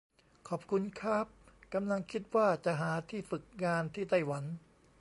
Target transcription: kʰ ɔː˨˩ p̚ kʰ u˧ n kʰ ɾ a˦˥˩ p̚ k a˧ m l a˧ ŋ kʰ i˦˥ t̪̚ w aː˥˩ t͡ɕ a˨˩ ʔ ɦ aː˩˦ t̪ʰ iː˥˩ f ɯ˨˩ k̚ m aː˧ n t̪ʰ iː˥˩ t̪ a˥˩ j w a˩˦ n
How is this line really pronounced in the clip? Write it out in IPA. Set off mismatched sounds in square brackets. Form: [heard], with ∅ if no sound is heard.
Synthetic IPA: kʰ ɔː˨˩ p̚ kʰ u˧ n kʰ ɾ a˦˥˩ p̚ k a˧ m l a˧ ŋ kʰ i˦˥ t̪̚ w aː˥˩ t͡ɕ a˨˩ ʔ ɦ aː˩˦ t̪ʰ iː˥˩ f ɯ˨˩ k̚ [ŋ] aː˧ n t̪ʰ iː˥˩ t̪ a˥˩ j w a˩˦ n